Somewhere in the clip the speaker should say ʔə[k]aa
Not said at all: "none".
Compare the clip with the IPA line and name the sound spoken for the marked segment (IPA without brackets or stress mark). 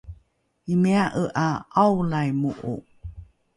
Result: ʔ